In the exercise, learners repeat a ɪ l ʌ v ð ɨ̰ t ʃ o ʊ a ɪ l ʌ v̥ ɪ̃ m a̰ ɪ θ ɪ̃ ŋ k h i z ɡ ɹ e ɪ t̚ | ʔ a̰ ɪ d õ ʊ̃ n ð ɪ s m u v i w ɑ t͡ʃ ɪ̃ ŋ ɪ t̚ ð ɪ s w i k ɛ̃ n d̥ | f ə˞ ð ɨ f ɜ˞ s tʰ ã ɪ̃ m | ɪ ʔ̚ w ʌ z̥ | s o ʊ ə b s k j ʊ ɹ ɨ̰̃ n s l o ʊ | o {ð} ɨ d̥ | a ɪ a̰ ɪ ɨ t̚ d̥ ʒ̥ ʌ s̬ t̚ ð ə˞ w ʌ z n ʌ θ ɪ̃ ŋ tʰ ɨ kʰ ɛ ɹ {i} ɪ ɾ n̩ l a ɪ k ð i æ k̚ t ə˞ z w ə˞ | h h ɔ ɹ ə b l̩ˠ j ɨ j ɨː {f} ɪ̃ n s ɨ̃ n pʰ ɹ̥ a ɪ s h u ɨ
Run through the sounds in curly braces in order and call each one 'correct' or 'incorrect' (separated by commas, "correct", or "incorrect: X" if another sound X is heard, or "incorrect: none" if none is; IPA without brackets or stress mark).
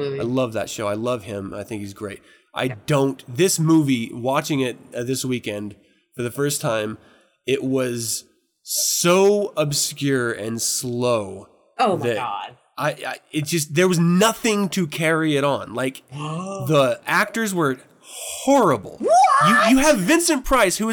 correct, correct, incorrect: v